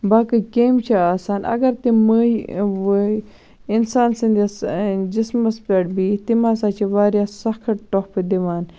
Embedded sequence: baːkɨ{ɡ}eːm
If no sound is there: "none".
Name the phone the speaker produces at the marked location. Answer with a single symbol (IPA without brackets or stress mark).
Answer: k